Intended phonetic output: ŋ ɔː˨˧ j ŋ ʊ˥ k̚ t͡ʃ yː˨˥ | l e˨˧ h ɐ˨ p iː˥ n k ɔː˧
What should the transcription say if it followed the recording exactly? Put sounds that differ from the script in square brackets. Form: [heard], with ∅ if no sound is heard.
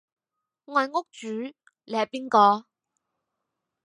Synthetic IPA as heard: ŋ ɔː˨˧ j ŋ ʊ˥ k̚ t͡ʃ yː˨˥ | l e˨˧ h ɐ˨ p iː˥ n k ɔː˧